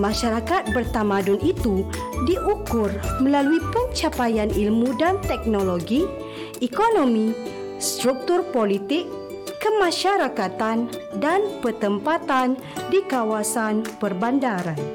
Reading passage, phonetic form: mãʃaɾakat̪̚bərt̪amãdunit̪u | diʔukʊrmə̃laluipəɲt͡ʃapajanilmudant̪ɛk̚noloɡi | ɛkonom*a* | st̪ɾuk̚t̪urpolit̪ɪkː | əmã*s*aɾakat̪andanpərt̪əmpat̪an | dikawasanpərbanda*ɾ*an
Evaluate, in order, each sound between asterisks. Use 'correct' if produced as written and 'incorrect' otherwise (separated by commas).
incorrect, incorrect, correct